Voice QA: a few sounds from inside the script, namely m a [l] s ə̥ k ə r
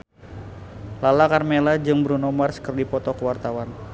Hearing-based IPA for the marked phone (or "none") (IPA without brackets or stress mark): r